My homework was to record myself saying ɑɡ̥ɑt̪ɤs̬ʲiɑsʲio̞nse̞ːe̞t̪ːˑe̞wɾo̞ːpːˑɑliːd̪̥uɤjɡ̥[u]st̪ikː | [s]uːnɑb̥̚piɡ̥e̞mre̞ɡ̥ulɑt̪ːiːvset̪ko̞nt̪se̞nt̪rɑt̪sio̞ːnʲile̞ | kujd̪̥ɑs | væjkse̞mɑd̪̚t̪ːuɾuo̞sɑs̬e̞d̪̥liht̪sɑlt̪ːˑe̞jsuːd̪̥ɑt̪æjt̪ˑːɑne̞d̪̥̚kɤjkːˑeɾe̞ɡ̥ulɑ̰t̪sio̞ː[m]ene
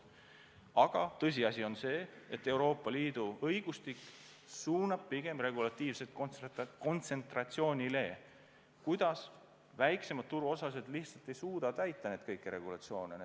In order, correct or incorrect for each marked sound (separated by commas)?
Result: correct, correct, incorrect